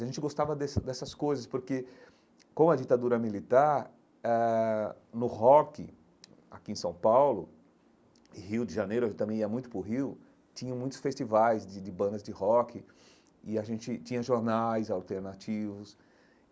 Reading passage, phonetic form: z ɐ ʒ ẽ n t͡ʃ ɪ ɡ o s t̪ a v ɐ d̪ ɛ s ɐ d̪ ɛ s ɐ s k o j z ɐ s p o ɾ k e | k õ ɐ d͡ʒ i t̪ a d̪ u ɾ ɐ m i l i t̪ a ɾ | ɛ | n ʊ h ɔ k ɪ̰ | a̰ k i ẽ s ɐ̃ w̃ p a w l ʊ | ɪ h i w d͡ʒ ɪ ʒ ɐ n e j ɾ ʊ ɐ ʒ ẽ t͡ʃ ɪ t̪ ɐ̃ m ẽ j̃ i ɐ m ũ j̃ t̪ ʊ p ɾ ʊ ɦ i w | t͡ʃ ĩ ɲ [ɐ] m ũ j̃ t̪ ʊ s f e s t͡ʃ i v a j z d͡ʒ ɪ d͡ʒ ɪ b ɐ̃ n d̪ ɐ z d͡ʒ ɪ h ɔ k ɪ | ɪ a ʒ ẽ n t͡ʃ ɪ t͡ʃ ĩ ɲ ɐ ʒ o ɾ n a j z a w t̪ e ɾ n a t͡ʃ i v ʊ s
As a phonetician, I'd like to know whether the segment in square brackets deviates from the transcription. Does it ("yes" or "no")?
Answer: yes